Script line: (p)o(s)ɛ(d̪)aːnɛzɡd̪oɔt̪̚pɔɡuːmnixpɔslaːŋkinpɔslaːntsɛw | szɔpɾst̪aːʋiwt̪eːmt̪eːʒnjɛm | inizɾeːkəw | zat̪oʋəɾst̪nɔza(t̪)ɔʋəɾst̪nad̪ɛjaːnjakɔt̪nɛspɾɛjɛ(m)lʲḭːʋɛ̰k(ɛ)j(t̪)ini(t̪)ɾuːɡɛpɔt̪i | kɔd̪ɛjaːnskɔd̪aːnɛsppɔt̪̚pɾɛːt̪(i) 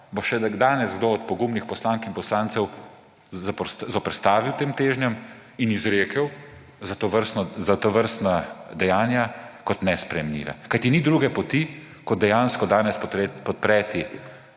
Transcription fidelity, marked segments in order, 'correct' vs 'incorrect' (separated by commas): incorrect, incorrect, correct, correct, correct, incorrect, correct, incorrect, correct